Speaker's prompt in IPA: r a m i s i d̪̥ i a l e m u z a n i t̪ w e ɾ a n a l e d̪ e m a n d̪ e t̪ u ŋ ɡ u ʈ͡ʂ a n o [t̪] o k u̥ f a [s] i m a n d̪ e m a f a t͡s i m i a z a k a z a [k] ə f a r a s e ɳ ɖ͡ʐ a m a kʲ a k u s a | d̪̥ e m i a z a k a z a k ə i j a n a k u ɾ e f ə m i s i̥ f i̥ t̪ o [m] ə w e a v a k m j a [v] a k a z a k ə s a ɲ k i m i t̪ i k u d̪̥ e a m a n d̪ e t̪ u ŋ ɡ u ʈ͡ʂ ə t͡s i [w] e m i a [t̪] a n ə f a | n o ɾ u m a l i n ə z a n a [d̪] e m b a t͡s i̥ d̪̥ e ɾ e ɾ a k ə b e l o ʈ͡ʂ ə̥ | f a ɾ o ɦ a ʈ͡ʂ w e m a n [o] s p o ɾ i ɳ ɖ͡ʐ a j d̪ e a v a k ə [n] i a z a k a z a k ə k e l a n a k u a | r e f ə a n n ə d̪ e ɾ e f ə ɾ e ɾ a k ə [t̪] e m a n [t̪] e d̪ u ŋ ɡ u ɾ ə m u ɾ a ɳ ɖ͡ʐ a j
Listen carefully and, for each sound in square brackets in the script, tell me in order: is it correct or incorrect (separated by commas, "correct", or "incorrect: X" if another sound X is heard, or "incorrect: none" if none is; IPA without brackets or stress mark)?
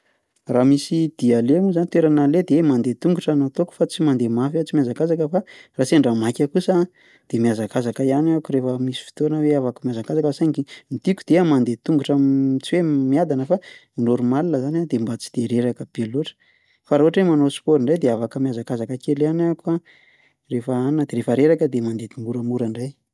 correct, incorrect: t͡s, correct, incorrect: n, incorrect: z, correct, incorrect: d̪, correct, correct, incorrect: m, incorrect: d̪, incorrect: d̪